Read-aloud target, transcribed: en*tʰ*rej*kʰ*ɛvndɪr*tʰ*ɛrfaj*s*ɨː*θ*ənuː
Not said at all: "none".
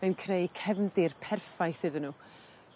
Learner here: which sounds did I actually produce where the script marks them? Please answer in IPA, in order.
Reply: kʰ, kʰ, pʰ, θ, ð

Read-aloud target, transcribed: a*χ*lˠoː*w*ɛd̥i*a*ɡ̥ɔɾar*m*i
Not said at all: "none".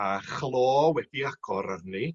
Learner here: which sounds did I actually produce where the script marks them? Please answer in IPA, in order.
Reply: χ, w, a, n

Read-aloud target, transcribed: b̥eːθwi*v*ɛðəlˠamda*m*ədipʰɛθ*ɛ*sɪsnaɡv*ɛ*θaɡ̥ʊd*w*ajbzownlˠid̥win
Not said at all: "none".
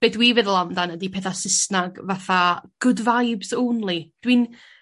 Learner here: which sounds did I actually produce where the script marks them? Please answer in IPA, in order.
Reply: v, n, a, a, v

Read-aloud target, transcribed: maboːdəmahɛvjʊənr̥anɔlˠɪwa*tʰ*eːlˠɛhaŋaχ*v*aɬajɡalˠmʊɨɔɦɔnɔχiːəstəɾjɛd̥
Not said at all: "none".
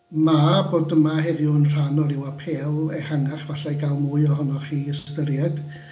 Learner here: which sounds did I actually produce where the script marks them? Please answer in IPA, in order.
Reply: pʰ, v

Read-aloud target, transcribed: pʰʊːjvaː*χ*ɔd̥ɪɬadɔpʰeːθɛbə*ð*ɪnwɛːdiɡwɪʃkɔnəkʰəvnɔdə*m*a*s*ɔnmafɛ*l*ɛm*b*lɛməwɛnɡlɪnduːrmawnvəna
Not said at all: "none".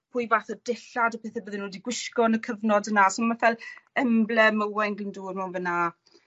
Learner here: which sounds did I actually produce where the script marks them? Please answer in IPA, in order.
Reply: θ, ð, n, s, l, b

